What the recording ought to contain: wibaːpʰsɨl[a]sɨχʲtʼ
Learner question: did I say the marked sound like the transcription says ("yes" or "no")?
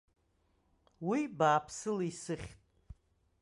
no